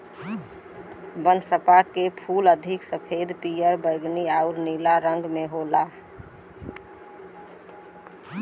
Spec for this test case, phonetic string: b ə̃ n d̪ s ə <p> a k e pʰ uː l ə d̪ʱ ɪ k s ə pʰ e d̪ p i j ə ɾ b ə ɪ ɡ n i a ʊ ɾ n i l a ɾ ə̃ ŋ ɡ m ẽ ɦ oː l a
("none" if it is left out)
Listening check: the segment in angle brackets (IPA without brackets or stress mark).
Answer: p